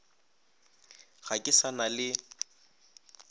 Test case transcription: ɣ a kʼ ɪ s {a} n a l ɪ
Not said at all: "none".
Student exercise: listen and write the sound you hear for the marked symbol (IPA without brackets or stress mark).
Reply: a